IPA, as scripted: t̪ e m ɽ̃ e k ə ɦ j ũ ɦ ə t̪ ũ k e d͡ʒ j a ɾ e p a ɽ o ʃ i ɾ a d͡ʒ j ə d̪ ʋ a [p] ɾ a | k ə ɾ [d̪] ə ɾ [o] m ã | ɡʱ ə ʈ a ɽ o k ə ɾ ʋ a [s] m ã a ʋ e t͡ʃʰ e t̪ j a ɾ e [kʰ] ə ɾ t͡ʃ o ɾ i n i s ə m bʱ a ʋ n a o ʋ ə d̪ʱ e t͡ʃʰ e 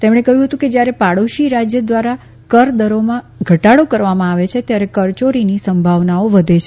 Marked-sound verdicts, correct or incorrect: incorrect, correct, correct, incorrect, incorrect

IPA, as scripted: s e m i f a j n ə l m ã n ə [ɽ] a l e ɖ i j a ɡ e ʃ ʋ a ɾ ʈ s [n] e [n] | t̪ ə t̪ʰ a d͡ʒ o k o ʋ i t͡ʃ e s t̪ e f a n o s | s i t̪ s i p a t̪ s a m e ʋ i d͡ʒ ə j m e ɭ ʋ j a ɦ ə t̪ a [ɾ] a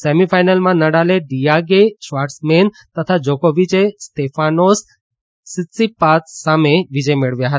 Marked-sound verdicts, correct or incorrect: correct, incorrect, correct, incorrect

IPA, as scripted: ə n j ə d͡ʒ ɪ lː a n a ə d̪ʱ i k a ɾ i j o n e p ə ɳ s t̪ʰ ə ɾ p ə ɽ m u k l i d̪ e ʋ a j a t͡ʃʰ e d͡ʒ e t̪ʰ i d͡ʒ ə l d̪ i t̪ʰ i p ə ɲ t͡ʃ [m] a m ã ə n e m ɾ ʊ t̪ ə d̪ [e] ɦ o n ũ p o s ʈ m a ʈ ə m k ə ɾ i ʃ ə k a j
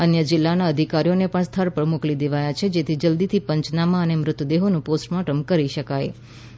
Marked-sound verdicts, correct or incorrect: incorrect, correct

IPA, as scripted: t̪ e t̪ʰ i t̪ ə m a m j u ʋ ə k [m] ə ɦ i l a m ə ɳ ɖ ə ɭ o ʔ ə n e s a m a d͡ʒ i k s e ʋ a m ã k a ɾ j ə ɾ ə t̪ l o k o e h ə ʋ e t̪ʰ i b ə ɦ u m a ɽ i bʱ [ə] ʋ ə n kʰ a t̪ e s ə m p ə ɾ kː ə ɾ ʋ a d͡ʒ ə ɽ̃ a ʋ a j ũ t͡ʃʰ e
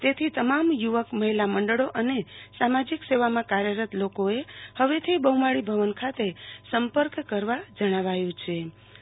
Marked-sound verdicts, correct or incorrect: correct, correct

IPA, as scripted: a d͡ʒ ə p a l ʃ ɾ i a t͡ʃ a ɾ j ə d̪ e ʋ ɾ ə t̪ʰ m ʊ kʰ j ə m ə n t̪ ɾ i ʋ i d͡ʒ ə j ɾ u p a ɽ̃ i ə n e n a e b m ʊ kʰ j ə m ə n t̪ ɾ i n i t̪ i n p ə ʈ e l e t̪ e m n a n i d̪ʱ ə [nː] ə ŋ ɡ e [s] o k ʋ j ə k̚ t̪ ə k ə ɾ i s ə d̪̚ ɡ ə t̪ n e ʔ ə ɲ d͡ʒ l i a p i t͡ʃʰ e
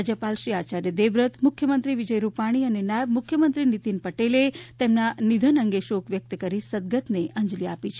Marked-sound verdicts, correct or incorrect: incorrect, incorrect

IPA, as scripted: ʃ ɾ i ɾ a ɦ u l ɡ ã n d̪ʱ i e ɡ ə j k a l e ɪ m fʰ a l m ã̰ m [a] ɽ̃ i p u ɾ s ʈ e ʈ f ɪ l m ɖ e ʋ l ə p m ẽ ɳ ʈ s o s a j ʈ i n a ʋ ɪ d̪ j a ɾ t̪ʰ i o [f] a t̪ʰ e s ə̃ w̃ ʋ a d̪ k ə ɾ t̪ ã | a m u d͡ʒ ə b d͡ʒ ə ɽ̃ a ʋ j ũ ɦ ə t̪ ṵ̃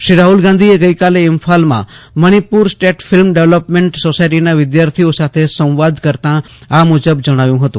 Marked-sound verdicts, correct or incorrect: incorrect, incorrect

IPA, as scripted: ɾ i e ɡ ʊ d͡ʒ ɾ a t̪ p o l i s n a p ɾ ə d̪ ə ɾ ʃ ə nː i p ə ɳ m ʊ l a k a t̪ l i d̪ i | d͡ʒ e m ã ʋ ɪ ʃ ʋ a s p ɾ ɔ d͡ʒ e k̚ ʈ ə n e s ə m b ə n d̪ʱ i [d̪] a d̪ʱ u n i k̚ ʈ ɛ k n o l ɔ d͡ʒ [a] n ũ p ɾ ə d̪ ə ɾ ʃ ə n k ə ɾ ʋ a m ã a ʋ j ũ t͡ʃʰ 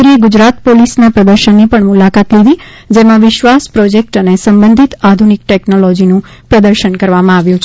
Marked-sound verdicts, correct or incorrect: incorrect, incorrect

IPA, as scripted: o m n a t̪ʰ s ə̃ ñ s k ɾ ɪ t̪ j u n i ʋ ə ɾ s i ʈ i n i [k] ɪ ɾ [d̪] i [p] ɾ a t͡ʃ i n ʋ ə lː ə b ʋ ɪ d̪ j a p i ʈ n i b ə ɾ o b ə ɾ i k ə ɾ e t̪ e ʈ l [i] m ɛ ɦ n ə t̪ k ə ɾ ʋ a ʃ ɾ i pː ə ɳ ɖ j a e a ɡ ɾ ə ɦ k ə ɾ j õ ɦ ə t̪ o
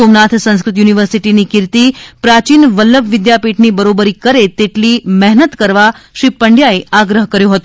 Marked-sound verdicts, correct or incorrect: correct, incorrect, correct, correct

